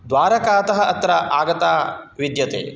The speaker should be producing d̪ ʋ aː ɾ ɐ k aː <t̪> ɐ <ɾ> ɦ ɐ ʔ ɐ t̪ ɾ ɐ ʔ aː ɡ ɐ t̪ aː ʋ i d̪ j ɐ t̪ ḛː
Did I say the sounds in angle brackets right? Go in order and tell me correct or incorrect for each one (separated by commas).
correct, incorrect